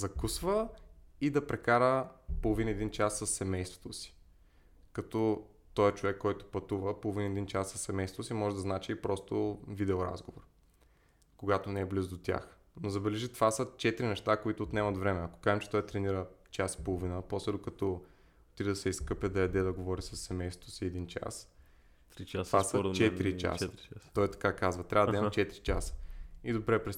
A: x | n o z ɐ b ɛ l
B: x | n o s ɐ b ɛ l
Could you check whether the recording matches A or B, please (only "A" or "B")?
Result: A